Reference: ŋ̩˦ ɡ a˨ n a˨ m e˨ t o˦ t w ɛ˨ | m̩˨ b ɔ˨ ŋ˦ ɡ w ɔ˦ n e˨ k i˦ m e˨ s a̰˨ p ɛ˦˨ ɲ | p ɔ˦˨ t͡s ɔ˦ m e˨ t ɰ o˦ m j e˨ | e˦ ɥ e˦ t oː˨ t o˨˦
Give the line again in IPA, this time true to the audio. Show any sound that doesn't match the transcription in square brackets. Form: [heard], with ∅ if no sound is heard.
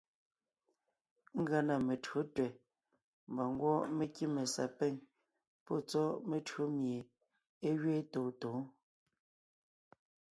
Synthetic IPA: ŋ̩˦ ɡ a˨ n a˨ m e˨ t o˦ t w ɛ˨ | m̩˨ b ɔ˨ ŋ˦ ɡ w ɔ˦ [m] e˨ k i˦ m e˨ s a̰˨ p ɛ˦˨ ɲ | p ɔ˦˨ t͡s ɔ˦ m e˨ t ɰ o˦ m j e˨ | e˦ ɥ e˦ t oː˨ t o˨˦